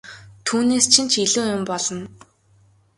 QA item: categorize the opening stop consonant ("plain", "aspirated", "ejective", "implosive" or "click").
aspirated